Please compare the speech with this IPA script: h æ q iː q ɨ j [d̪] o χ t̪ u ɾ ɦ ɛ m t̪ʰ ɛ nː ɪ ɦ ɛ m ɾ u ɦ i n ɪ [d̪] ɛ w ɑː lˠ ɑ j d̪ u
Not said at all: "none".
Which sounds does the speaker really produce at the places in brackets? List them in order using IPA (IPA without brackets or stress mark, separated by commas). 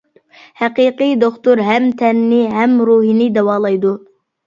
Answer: d̪, d̪